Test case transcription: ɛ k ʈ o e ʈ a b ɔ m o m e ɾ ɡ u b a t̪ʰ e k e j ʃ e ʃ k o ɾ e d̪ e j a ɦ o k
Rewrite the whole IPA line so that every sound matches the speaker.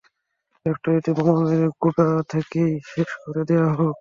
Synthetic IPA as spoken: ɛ k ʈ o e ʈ i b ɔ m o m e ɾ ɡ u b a t̪ʰ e k e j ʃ e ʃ k o ɾ e d̪ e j a ɦ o k